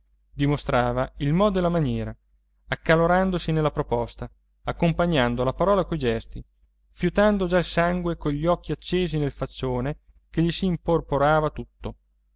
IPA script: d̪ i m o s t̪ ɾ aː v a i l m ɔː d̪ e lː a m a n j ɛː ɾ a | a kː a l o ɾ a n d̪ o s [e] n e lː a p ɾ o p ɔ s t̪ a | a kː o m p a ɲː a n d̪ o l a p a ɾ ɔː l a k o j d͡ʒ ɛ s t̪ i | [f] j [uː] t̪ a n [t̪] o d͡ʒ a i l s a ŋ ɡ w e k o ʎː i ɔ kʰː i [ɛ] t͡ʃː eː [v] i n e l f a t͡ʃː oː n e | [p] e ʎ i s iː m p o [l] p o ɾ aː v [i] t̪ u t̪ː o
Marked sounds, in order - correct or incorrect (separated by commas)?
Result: incorrect, correct, incorrect, incorrect, incorrect, incorrect, incorrect, incorrect, incorrect